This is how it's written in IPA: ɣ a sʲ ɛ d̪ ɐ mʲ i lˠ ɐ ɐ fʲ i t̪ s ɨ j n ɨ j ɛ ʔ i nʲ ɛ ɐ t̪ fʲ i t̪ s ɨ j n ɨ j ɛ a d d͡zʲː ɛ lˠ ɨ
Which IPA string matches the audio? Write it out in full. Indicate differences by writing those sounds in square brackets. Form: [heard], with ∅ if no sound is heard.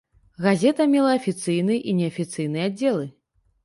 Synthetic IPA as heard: ɣ a [zʲ] ɛ [t̪] ɐ mʲ [ɛ] lˠ ɐ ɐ fʲ i t̪ s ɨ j n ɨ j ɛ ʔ i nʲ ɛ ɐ [∅] fʲ i t̪ s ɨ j n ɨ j ɛ a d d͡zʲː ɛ lˠ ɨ